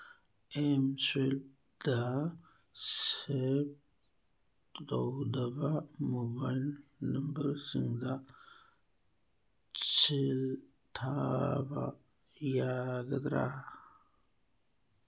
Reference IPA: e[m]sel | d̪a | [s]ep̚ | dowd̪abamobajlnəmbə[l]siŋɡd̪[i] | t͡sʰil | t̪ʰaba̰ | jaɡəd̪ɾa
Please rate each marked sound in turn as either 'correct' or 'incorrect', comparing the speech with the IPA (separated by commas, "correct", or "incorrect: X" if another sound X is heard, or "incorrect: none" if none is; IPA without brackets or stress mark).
correct, correct, incorrect: ɾ, incorrect: a